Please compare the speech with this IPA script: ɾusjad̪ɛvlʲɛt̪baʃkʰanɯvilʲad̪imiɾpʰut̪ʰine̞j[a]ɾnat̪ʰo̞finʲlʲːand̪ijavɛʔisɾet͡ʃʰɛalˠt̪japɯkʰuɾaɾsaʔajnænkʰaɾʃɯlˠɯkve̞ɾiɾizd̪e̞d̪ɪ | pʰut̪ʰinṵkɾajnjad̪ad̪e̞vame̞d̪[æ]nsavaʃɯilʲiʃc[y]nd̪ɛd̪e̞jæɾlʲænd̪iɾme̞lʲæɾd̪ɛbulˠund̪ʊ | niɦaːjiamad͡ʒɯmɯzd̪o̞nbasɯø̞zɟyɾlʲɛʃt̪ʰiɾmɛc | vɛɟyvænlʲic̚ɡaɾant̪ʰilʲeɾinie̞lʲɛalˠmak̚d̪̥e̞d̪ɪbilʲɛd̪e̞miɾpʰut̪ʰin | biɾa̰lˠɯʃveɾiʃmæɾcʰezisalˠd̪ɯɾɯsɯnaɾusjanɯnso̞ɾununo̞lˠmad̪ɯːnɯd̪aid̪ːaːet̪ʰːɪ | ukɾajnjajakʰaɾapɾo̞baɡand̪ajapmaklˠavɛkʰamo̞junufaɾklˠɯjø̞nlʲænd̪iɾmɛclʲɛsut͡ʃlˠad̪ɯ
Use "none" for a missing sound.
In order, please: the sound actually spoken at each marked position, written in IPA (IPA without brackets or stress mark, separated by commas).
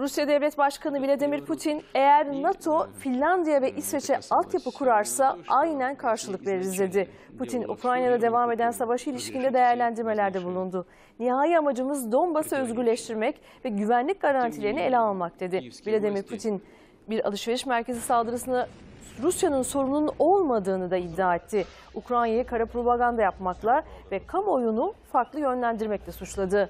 æ, æ, i